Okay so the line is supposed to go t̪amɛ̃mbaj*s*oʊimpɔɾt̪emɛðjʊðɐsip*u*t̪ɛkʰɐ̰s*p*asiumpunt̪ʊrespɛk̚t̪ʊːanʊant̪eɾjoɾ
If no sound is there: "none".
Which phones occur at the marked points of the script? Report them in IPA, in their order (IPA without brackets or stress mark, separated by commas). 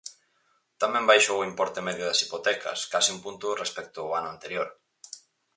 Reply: ʃ, o, k